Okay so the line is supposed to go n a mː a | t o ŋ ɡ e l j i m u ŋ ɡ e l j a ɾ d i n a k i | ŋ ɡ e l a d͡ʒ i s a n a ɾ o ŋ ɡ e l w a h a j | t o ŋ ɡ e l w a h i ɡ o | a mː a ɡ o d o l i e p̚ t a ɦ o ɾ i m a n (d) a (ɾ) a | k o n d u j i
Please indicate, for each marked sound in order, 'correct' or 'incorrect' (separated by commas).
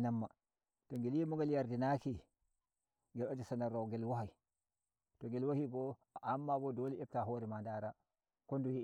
correct, correct